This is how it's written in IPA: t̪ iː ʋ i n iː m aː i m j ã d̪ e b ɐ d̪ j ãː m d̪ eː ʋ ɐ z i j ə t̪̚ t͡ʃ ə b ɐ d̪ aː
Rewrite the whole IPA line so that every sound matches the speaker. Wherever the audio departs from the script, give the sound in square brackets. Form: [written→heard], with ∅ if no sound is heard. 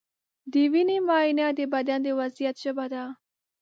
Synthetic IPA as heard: [t̪→d̪] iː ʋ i n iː m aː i [m→n] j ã d̪ e b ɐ d̪ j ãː [m→∅] d̪ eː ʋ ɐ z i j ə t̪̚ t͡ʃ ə b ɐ d̪ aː